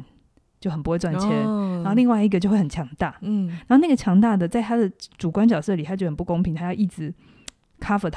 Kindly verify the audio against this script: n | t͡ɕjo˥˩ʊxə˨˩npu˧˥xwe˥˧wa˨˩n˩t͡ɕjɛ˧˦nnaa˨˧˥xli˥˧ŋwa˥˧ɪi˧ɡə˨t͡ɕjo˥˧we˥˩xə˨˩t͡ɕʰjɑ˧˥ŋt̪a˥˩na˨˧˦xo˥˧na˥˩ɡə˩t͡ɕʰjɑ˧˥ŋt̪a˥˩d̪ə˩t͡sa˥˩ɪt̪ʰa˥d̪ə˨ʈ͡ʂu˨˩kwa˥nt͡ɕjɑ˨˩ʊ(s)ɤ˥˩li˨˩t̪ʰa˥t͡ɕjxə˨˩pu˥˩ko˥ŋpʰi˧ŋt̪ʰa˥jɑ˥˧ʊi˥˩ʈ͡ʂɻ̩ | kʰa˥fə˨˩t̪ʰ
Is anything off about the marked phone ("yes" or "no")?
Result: no